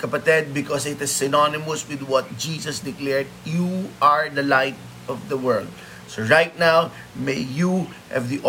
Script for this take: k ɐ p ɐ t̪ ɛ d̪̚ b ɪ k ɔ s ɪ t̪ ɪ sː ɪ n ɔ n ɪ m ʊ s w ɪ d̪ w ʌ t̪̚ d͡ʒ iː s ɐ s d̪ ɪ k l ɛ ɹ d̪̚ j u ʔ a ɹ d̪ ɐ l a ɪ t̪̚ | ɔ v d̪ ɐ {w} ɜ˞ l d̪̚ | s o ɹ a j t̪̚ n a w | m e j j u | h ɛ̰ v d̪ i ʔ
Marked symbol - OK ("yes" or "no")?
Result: yes